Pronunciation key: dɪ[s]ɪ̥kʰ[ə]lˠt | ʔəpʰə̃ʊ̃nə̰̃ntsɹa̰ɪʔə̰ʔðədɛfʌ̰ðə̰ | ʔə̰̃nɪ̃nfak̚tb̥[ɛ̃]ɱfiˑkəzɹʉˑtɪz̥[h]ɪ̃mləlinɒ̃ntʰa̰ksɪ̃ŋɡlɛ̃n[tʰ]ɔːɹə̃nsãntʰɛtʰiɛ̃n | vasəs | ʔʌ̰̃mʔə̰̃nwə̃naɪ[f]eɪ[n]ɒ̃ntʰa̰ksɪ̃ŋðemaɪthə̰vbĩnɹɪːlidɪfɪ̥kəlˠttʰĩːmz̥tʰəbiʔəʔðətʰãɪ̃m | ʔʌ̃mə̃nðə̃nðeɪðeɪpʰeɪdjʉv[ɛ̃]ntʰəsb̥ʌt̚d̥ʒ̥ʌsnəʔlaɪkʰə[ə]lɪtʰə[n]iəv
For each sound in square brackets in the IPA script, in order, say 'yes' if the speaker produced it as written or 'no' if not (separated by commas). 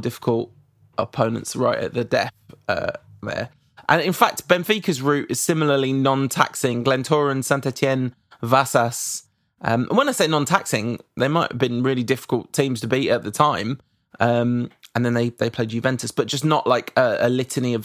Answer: no, yes, yes, no, yes, no, yes, yes, yes, yes